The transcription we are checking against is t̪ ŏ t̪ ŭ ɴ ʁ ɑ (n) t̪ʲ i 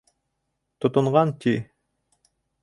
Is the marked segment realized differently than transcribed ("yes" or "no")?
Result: no